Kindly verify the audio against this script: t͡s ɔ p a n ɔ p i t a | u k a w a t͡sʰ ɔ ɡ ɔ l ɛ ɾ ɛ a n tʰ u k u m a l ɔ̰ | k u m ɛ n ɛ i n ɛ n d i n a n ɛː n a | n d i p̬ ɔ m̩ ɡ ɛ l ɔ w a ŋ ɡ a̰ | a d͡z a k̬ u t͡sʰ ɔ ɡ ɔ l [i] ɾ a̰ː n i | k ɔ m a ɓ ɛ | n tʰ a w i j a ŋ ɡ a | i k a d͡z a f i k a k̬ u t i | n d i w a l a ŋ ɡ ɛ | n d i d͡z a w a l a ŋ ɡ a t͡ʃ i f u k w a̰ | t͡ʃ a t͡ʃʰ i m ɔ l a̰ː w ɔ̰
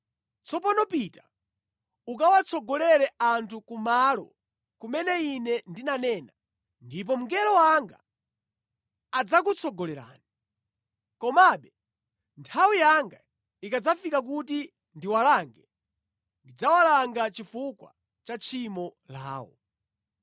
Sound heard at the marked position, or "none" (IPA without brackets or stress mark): ɛ